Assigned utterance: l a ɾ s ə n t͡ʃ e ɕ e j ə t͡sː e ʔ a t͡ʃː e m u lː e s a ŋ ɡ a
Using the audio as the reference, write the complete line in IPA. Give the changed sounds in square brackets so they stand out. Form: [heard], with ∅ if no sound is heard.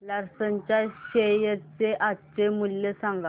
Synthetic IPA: l a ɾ s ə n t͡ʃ [a] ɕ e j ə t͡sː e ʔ a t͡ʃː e m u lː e s a ŋ ɡ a